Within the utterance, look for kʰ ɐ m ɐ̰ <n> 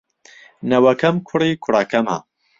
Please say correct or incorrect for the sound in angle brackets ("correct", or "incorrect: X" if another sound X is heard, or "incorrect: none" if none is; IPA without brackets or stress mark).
incorrect: none